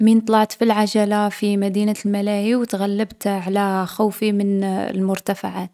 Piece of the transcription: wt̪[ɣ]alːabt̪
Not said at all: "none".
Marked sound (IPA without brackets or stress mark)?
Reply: ɣ